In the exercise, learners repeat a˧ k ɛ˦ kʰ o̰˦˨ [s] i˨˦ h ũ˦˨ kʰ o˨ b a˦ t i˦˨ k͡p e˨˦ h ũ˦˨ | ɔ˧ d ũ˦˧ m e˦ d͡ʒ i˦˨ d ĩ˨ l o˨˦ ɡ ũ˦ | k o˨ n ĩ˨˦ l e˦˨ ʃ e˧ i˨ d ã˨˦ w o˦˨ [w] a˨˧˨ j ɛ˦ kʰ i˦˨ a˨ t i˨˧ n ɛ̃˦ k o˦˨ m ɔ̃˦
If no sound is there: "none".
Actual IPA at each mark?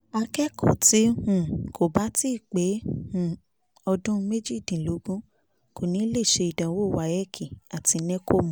t, w

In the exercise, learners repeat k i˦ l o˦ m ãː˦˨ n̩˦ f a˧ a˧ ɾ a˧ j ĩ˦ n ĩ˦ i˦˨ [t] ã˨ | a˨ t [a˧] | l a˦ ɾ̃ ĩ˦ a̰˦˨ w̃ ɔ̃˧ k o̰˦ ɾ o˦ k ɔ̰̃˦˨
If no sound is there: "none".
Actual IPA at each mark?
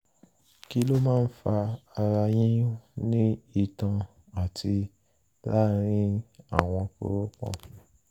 t, i˧

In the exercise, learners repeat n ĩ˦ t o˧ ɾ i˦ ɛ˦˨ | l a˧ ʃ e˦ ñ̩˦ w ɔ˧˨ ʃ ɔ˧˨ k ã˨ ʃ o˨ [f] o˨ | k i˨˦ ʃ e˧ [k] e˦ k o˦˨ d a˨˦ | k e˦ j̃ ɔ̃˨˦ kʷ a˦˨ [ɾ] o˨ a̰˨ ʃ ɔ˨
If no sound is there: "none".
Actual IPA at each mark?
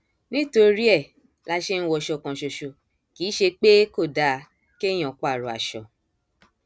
ʃ, k͡p, ɾ

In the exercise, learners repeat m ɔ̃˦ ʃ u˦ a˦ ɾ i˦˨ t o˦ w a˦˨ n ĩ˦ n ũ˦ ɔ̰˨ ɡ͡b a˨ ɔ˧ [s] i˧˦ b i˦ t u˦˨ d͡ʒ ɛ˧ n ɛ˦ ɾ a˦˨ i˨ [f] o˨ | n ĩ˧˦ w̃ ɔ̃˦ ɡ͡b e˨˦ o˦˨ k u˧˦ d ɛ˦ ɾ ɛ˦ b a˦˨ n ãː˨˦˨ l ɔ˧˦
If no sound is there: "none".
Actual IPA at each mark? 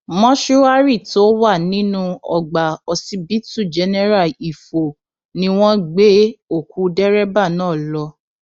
s, f

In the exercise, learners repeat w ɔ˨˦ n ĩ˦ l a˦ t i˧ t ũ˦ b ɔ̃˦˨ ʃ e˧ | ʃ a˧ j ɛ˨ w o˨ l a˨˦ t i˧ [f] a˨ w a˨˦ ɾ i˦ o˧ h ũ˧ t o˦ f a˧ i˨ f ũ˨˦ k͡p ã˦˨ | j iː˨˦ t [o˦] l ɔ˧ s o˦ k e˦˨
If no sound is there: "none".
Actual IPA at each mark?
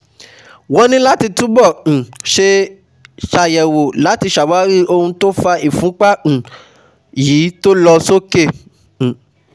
ʃ, o˦

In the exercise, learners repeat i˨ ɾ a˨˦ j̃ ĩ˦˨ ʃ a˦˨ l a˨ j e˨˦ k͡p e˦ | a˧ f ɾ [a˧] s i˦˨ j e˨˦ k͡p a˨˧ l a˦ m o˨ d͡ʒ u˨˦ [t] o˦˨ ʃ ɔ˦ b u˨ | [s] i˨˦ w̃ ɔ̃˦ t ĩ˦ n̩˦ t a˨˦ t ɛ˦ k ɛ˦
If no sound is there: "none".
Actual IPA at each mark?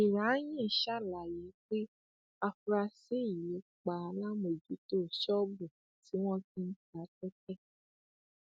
a˧, t, t

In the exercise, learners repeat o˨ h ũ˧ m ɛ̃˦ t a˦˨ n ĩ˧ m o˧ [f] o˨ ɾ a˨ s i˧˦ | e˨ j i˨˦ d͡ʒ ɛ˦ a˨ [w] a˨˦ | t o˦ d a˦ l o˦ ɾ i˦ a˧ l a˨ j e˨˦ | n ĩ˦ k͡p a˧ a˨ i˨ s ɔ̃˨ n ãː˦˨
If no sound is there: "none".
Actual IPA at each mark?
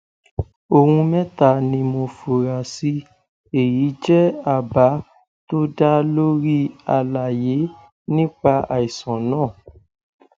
f, b

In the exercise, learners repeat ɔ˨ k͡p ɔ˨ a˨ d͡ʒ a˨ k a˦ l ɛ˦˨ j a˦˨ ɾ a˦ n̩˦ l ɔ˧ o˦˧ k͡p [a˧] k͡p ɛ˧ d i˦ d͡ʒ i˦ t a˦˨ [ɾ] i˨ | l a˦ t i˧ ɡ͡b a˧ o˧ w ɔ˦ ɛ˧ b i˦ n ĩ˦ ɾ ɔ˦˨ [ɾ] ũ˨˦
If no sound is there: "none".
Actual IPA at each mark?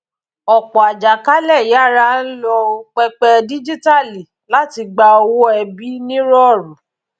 ɛ˧, l, ɾ

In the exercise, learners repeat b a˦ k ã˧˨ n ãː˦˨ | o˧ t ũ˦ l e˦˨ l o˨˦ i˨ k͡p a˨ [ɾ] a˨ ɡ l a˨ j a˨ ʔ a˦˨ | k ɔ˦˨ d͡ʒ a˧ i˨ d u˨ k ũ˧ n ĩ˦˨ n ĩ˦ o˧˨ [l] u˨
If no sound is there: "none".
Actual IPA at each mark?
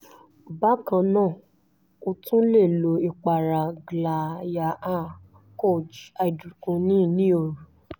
ɾ, ɾ

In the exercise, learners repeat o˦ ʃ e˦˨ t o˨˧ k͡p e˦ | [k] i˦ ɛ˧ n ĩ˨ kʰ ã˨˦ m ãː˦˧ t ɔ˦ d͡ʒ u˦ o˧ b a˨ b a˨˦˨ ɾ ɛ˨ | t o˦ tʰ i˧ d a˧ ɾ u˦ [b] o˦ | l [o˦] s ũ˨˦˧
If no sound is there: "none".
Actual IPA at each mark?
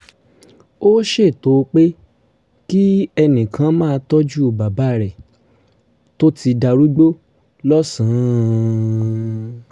k, ɡ͡b, ɔ˦

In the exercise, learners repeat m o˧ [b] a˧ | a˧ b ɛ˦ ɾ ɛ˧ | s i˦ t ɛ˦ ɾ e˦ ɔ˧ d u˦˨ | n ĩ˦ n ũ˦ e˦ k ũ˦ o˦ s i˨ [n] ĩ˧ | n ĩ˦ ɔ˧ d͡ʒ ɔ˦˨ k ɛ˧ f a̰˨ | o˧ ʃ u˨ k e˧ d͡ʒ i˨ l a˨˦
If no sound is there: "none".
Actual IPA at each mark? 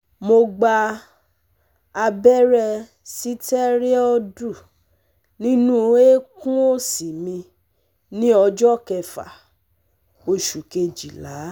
ɡ͡b, m

